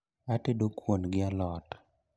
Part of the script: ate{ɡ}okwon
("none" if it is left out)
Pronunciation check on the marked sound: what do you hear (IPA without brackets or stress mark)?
d